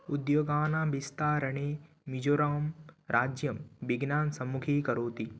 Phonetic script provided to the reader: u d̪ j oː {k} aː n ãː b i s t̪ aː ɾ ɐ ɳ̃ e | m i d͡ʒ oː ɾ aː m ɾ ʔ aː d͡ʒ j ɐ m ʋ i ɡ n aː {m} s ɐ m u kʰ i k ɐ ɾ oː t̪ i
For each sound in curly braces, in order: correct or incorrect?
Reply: incorrect: ɡ, incorrect: n

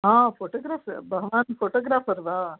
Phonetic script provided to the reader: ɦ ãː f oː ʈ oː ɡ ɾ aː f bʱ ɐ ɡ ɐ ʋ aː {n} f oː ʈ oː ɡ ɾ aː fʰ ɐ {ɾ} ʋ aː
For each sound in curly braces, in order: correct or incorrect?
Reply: correct, correct

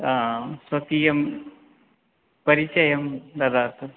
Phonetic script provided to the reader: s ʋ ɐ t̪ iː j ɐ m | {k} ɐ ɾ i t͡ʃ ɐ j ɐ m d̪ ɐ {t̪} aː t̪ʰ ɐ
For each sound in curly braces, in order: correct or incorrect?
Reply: incorrect: p, incorrect: d̪

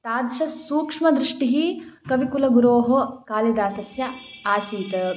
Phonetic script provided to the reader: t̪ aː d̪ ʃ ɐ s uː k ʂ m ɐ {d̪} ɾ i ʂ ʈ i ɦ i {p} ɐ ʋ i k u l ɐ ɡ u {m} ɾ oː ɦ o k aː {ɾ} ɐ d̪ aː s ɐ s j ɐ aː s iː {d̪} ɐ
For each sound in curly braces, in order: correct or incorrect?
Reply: correct, incorrect: k, incorrect: none, incorrect: l, incorrect: t̪

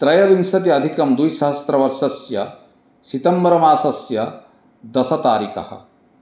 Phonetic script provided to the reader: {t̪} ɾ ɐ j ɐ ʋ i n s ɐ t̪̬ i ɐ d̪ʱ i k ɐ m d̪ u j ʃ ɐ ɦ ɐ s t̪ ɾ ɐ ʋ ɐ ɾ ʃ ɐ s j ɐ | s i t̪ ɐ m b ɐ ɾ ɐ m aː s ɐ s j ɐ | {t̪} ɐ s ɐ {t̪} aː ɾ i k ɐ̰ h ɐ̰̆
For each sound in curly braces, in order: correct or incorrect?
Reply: correct, incorrect: d̪, correct

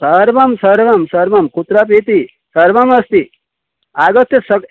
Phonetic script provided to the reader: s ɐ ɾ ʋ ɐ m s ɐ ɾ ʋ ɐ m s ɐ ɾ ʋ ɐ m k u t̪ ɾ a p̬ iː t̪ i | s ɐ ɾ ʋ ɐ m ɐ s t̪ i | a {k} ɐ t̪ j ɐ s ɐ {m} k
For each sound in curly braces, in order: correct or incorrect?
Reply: incorrect: ɡ, incorrect: none

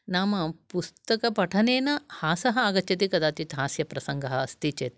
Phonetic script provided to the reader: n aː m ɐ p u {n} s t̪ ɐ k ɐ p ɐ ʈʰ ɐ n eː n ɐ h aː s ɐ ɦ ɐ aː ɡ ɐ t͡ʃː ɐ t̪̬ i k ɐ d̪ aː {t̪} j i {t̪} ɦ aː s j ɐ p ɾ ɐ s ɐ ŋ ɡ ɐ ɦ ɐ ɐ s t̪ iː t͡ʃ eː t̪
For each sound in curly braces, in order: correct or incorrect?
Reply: incorrect: none, correct, correct

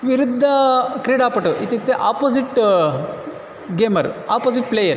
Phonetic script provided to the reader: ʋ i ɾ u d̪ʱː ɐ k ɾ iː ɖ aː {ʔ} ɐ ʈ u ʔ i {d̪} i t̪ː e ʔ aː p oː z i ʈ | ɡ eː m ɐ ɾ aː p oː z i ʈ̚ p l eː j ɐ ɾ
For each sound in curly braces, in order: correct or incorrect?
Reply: incorrect: p, incorrect: t̪

